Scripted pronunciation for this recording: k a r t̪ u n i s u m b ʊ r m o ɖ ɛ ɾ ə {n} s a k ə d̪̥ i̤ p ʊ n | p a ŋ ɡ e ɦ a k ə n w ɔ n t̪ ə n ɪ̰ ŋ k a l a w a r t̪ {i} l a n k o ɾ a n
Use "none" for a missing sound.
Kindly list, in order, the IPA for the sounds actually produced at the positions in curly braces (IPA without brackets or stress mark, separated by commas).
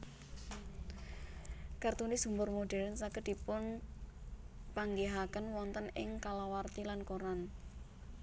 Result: n, i